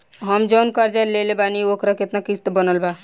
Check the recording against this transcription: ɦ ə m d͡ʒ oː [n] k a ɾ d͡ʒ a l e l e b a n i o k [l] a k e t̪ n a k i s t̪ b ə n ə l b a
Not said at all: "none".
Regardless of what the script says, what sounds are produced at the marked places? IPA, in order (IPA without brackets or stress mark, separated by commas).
n, ɾ